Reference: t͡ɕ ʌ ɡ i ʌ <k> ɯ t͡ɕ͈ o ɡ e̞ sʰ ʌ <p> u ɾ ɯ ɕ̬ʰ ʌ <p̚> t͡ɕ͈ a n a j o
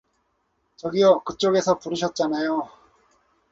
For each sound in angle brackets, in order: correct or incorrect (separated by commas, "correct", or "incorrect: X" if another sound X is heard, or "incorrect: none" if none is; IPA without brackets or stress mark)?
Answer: correct, correct, incorrect: t̚